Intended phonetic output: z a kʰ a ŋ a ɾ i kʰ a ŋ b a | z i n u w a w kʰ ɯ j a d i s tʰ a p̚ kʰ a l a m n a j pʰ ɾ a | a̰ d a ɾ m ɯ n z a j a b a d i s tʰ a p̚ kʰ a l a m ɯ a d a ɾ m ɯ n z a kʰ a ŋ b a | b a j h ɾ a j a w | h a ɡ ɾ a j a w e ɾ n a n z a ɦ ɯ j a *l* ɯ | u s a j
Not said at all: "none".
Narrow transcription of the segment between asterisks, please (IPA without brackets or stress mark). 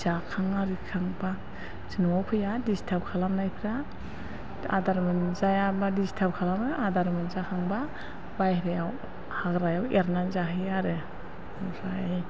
ɾ